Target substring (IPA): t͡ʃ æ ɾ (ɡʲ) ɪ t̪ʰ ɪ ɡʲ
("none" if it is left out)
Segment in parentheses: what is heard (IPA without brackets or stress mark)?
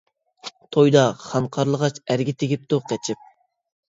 ɡʲ